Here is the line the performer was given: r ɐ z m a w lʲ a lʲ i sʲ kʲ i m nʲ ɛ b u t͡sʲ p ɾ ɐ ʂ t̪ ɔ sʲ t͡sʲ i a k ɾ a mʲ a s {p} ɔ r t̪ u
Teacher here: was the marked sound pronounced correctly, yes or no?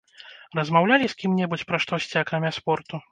yes